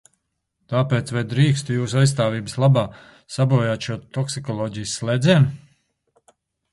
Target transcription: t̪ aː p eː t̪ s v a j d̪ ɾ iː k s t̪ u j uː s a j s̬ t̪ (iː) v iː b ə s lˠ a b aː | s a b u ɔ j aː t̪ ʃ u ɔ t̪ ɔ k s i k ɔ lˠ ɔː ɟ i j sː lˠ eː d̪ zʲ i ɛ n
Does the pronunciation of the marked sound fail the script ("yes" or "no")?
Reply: yes